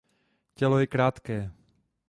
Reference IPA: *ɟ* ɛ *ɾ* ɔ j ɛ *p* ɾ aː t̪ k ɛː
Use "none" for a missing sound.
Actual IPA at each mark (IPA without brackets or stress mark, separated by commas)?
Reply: c, l, k